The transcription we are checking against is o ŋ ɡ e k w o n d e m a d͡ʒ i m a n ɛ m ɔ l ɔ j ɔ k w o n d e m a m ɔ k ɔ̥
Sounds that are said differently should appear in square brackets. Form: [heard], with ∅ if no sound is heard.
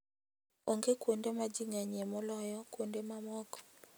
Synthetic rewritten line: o ŋ ɡ e k w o n d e m a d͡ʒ i [ŋ] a [ɲ] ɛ m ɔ l ɔ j ɔ k w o n d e m a m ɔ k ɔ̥